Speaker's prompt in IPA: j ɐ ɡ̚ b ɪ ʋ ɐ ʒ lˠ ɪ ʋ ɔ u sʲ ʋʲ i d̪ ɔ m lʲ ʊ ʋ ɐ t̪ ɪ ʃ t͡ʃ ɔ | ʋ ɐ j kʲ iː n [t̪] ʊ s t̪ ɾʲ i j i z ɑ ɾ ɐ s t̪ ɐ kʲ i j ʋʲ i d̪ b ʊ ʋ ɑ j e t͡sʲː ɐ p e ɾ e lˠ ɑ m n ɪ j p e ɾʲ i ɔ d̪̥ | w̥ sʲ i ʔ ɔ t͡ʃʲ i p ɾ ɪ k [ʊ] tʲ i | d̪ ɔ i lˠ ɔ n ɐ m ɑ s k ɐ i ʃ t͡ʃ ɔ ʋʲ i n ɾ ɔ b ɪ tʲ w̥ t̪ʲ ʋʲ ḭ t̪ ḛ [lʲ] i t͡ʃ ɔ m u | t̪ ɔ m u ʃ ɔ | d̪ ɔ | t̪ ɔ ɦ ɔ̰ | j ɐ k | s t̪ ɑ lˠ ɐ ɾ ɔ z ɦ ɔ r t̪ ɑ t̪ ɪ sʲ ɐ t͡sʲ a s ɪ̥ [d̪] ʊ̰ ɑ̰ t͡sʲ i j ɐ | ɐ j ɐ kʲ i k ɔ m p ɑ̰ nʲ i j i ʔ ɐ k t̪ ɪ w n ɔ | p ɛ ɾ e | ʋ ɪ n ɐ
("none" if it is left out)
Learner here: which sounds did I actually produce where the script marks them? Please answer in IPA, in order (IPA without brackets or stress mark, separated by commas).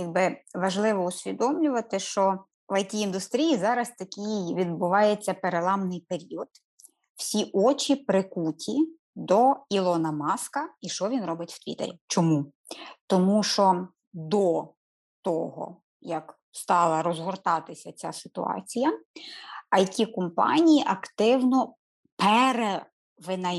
d̪, u, ɾʲ, t̪